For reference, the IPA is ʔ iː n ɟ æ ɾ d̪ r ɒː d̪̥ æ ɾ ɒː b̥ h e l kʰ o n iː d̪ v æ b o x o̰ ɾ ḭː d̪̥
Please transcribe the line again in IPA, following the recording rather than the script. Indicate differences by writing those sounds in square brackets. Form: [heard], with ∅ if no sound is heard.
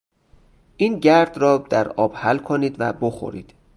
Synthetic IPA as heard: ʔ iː n ɟ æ ɾ d̪ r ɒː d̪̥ æ ɾ ɒː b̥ h [æ] l kʰ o n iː d̪ v æ b o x o̰ ɾ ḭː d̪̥